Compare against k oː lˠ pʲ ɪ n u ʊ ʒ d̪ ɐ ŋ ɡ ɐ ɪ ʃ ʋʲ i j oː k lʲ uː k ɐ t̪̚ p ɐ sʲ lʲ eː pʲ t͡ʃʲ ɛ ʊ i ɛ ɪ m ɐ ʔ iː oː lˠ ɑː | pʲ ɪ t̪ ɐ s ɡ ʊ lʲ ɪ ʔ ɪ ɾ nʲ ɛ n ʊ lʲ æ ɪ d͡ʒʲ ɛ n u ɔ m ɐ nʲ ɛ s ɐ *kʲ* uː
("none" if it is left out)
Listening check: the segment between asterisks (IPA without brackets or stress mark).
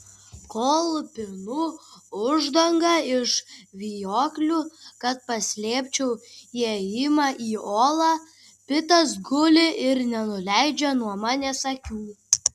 kʲ